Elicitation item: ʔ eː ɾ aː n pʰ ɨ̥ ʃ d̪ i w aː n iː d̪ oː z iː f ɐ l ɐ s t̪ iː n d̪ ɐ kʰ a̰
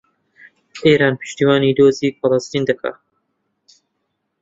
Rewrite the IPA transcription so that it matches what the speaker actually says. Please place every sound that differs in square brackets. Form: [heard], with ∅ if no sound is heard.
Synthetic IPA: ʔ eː ɾ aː n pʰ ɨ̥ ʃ [t̪] i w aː n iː d̪ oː z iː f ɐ l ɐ s t̪ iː n d̪ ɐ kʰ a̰

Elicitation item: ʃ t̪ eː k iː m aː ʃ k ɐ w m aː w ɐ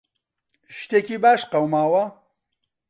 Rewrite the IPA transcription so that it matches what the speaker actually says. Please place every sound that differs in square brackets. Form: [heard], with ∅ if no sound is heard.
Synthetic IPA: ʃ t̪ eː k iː [b] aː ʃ [q] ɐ w m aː w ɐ

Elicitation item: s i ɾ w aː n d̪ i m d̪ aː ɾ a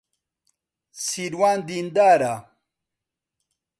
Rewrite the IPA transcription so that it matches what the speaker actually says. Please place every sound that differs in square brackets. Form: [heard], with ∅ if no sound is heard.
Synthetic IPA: s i ɾ w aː n d̪ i [n] d̪ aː ɾ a

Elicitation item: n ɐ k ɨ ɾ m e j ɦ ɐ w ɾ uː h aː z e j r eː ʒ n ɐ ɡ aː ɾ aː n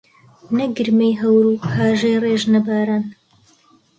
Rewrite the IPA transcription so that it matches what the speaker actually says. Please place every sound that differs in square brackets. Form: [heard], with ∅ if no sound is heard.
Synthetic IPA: n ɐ [ɡ] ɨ ɾ m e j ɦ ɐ w ɾ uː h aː [ʒ] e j r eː ʒ n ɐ [b] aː ɾ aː n

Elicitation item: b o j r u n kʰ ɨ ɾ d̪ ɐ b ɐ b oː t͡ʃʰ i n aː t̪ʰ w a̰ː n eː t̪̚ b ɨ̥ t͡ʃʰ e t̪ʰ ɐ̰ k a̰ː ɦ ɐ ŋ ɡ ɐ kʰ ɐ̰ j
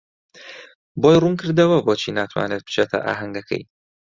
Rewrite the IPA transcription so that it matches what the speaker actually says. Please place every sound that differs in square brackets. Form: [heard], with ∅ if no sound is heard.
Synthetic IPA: b o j r u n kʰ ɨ ɾ d̪ ɐ [w] ɐ b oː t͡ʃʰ i n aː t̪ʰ w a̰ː n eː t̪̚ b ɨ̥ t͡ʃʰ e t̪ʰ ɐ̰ [ʔ] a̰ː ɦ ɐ ŋ ɡ ɐ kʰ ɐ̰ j

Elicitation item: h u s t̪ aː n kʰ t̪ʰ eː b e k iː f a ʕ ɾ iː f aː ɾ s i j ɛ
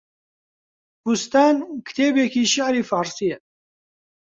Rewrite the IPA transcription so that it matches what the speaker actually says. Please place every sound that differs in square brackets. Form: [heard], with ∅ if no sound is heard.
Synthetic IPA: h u s t̪ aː n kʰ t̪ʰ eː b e k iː [ʃ] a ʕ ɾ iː f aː ɾ s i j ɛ

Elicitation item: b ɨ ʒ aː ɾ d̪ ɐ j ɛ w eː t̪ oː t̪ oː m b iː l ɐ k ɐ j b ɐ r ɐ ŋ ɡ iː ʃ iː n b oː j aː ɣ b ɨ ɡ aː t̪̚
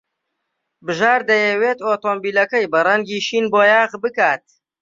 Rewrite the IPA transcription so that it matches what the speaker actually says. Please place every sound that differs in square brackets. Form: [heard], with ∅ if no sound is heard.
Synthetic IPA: b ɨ ʒ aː ɾ d̪ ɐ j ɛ w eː t̪ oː t̪ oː m b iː l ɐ k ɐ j b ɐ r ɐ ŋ ɡ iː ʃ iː n b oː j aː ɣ b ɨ [k] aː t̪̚

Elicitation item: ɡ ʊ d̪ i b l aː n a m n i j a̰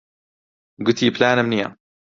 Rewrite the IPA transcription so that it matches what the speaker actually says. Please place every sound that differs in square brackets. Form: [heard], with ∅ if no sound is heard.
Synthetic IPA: ɡ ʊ [t̪] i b l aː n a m n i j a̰

